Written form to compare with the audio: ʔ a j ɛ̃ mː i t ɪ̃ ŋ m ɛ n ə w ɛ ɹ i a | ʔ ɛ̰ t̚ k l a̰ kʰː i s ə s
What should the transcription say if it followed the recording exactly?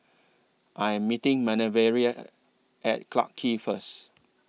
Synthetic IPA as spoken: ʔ a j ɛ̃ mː i t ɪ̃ ŋ m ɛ n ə v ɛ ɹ i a | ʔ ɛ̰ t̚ k l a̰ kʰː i f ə s